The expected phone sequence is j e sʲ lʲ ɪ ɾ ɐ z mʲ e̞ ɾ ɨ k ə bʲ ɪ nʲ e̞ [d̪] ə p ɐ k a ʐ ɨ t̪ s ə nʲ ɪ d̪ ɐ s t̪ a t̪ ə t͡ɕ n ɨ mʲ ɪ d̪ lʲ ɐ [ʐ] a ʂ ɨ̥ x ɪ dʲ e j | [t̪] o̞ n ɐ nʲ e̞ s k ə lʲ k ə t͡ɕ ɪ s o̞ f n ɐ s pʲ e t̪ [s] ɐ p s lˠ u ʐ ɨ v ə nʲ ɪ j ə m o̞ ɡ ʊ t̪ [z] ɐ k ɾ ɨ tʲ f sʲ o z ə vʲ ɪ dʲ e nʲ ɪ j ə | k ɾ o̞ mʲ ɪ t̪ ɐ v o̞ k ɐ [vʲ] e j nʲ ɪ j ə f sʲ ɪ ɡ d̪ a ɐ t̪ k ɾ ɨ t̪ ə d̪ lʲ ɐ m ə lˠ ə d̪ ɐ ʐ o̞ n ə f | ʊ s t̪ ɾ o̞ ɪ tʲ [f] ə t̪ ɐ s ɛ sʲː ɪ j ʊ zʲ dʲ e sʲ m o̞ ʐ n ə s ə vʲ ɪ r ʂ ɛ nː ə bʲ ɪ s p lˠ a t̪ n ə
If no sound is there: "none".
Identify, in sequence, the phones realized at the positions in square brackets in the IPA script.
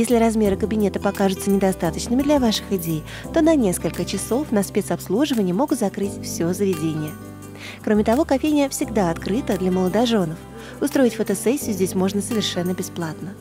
t̪, v, t̪, s, z, fʲ, f

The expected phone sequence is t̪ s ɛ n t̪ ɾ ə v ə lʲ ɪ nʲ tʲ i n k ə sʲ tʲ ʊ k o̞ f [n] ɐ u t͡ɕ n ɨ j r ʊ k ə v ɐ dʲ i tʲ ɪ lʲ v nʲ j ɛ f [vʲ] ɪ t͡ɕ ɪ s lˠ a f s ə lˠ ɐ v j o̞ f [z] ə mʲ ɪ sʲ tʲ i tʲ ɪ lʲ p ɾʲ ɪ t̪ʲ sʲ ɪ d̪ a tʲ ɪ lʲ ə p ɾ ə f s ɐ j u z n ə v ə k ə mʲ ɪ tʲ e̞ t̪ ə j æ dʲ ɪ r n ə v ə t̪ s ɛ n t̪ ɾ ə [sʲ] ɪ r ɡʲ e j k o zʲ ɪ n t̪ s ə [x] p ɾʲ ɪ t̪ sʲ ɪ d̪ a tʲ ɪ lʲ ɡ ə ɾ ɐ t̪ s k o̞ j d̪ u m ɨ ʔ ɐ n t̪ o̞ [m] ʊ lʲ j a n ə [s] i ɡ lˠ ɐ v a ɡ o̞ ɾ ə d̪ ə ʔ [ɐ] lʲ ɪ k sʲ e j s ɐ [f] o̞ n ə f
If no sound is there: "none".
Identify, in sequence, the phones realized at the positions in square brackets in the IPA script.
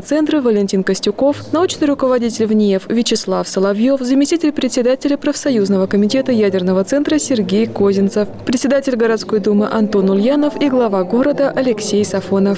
n, vʲ, z, sʲ, f, n, f, ɐ, f

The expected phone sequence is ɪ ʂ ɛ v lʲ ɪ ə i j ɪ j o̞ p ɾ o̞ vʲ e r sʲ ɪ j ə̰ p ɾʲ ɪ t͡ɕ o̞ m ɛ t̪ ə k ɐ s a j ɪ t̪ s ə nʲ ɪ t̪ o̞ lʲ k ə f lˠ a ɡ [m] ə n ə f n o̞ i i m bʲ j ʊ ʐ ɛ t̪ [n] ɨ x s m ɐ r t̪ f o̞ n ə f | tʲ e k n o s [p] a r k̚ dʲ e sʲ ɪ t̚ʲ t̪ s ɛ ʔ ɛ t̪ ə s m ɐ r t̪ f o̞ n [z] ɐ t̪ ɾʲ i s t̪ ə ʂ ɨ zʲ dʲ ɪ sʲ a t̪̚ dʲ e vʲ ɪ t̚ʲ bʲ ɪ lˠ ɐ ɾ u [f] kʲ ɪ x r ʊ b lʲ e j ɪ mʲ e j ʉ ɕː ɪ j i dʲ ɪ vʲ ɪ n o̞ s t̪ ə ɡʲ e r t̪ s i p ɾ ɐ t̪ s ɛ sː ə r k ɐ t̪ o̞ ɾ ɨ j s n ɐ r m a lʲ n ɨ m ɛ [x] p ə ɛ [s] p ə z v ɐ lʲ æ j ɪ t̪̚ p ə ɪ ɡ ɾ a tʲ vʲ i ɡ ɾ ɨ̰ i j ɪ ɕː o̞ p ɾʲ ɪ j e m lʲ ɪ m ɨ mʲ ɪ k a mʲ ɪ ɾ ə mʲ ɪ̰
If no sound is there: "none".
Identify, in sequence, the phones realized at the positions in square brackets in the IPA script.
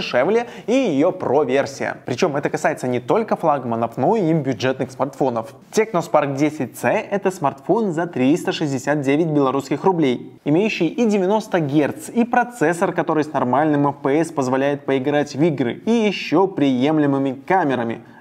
m, n, p, z, s, f, s

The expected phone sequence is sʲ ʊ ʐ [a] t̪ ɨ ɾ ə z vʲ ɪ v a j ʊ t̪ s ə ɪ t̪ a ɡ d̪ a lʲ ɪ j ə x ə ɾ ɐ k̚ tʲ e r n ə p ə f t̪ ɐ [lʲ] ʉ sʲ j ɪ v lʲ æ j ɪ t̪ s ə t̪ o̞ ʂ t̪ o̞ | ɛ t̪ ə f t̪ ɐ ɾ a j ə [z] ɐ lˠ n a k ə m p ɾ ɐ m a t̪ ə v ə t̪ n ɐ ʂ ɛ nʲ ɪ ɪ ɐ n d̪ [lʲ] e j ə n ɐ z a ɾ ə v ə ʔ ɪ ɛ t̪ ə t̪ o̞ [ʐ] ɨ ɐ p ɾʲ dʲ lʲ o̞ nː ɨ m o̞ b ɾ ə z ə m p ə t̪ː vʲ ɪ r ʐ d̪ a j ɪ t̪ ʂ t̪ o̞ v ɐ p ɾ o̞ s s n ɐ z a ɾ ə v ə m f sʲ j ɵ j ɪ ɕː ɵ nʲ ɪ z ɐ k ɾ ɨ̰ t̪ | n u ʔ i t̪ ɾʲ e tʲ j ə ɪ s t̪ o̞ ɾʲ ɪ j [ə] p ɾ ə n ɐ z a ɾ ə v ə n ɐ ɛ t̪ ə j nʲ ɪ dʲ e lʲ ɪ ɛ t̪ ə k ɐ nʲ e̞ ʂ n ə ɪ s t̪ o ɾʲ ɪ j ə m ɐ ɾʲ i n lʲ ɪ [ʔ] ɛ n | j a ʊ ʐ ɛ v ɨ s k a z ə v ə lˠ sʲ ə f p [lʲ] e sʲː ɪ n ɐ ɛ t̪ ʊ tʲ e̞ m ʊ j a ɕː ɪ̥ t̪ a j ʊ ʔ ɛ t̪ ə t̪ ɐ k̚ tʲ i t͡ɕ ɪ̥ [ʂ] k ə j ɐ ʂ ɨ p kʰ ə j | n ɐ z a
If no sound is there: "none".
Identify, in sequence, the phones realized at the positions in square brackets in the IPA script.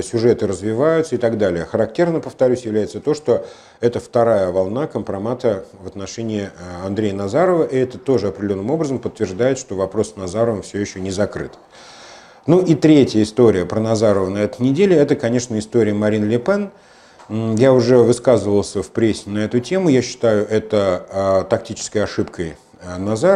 ɛ, ɾʲ, v, ɾʲ, ʐ, ə, p, ɾʲ, s

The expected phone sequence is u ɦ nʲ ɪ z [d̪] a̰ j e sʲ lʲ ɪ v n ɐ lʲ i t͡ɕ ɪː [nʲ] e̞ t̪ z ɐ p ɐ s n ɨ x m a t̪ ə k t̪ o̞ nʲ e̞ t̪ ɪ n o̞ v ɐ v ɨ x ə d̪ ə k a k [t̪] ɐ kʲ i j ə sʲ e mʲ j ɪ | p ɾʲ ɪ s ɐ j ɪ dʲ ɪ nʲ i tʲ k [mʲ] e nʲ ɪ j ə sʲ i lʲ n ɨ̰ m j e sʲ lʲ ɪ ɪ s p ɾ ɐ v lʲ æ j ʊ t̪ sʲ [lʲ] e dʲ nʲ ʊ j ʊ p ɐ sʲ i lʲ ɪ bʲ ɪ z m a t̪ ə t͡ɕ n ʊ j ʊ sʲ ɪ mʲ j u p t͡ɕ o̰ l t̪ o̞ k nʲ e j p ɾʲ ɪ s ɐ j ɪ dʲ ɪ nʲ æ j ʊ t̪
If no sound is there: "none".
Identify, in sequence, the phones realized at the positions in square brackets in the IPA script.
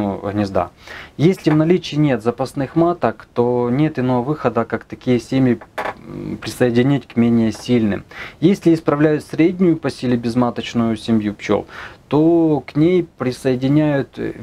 d̪, nʲ, t̪, mʲ, ɾʲ

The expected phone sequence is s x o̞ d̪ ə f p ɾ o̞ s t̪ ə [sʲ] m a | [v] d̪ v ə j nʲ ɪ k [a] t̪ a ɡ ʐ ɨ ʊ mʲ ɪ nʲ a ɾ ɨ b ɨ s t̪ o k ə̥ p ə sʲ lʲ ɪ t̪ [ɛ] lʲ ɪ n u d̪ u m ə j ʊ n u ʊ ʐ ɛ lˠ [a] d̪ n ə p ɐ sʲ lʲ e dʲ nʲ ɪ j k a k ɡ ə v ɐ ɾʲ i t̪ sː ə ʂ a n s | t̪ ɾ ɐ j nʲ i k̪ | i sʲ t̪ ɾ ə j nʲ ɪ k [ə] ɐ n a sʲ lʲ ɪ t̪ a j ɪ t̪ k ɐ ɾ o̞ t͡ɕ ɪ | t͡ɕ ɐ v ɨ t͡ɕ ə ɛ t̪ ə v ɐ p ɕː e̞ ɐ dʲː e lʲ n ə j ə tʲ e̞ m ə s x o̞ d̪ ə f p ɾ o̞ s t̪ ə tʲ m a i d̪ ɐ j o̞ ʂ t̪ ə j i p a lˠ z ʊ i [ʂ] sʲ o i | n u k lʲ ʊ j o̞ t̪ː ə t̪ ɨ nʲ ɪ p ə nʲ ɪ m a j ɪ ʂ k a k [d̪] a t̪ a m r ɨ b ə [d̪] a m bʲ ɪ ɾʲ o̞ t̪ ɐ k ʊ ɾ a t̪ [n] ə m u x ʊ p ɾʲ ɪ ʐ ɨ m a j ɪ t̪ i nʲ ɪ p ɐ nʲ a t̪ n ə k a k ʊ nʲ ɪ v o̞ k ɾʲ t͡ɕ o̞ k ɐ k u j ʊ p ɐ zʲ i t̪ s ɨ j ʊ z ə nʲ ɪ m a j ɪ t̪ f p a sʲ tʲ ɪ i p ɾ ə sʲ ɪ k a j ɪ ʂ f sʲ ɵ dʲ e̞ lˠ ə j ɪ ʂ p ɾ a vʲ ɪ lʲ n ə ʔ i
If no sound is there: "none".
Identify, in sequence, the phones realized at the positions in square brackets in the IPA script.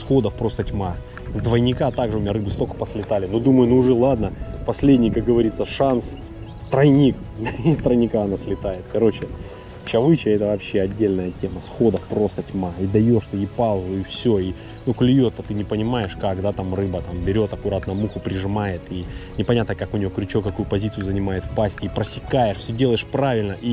tʲ, z, a, a, a, a, f, d̪, t̪, n

